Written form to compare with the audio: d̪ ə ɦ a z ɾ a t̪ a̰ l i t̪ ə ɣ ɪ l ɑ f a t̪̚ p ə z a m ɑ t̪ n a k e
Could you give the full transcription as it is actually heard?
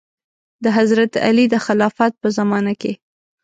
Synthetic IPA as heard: d̪ ə ɦ a z ɾ a t̪ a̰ l i d̪ ə x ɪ l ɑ f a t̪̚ p ə z a m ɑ n a k e

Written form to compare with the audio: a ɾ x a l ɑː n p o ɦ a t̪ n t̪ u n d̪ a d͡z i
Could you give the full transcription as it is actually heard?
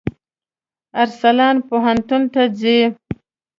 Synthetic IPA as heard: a ɾ s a l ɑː n p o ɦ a n t̪ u n t̪ a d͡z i

